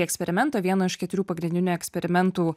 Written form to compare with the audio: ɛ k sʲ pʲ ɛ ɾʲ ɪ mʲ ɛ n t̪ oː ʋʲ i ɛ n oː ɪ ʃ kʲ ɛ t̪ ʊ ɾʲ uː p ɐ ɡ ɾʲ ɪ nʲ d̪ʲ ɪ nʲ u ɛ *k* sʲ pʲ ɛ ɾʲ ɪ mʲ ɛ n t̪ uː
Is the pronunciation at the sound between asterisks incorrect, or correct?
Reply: correct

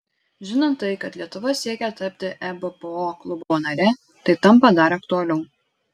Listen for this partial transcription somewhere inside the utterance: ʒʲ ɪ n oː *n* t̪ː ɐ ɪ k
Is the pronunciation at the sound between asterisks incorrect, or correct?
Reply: correct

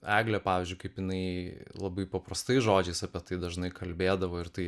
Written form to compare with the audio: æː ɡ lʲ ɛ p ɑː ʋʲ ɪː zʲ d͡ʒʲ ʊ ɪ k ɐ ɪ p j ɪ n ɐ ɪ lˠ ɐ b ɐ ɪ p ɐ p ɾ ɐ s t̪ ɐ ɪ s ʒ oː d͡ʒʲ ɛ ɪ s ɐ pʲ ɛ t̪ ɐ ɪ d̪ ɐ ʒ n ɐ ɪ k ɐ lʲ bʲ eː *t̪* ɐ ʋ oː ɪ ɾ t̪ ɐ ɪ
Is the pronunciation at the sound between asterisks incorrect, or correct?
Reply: incorrect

